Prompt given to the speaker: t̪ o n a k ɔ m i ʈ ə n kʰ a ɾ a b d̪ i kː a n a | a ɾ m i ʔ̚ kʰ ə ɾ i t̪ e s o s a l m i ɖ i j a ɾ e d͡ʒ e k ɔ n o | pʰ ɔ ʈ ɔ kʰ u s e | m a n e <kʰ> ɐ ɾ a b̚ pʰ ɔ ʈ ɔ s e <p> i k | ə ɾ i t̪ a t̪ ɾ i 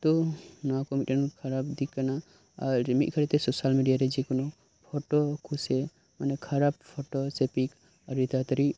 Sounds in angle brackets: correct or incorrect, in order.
correct, correct

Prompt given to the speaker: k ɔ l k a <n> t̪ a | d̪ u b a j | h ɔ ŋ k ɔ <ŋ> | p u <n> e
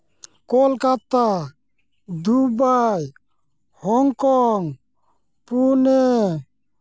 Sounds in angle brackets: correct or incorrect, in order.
incorrect: none, correct, correct

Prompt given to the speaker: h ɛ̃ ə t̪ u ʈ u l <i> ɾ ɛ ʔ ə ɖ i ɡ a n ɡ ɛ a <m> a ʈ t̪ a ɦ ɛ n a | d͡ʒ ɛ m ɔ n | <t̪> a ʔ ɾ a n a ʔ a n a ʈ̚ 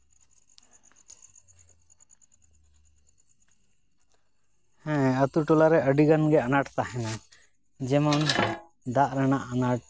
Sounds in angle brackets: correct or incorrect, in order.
incorrect: a, incorrect: n, incorrect: d̪

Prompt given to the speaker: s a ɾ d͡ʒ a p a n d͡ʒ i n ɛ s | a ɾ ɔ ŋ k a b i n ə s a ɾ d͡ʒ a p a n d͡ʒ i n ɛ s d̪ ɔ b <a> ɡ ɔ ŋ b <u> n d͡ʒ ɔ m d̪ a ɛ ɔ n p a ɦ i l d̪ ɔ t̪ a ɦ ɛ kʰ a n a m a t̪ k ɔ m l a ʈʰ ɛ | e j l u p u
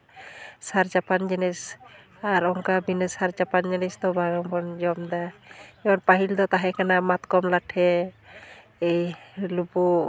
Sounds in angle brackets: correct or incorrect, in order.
correct, incorrect: ɔ

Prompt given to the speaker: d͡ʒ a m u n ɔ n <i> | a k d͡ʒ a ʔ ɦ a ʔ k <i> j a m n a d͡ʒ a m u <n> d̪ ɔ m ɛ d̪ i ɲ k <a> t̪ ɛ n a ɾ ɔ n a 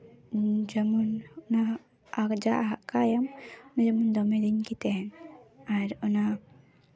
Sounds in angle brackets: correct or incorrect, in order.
incorrect: a, incorrect: a, correct, incorrect: i

